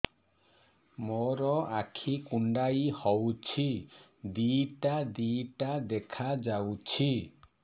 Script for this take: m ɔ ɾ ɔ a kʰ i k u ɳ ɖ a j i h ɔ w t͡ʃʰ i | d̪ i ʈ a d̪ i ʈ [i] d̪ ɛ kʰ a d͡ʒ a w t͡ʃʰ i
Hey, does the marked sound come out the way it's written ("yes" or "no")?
no